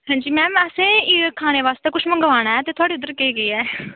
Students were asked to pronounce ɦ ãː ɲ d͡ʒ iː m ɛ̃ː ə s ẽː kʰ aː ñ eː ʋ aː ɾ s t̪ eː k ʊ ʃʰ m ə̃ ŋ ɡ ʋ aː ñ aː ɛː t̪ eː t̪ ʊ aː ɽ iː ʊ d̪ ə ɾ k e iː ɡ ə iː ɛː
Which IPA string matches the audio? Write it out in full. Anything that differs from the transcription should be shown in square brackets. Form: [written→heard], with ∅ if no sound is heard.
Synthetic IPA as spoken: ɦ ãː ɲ d͡ʒ iː m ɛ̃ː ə s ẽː kʰ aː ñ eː ʋ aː [ɾ→∅] s t̪ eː k ʊ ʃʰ m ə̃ ŋ ɡ ʋ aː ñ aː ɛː t̪ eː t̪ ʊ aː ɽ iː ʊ d̪ ə ɾ k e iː ɡ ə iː ɛː